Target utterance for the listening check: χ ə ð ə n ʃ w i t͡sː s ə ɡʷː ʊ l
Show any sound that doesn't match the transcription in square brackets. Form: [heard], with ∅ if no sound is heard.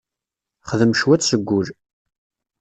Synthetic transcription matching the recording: χ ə ð ə [m] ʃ w [æ] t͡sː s ə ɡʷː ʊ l